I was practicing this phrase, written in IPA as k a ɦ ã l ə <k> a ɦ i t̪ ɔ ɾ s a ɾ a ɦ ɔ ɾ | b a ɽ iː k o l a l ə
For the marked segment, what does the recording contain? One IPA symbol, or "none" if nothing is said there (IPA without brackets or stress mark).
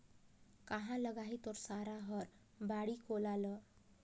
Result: ɡ